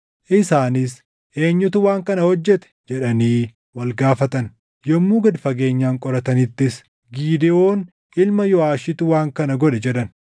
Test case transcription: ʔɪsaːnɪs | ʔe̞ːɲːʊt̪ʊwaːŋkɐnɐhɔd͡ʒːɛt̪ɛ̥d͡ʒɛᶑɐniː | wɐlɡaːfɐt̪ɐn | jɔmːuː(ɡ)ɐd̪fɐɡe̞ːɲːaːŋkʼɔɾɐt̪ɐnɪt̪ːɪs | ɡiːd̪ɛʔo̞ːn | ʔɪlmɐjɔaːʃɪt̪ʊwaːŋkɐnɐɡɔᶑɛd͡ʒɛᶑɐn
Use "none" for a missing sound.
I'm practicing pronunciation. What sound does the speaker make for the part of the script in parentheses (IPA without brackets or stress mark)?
ɡ